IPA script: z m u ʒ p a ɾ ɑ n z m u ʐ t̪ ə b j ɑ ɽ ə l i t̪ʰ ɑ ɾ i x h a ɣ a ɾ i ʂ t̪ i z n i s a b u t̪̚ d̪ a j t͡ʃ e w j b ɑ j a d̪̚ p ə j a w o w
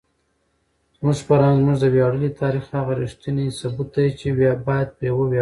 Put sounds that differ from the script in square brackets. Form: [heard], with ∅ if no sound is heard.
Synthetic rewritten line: z m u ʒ p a ɾ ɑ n z m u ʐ [d̪] ə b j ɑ ɽ ə l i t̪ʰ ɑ ɾ i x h a ɣ a ɾ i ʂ t̪ i [∅] n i s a b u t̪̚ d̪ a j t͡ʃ e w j b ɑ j a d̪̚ p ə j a w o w